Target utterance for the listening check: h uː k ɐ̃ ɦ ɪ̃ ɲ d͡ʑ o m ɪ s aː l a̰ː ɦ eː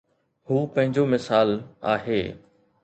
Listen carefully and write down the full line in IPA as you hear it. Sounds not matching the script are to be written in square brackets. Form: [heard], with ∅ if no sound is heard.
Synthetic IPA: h uː [p] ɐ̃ ɦ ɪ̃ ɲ d͡ʑ o m ɪ s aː l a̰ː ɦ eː